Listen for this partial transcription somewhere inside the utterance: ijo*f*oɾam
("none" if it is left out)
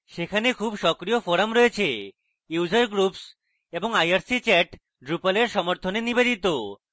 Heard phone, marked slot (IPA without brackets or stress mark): f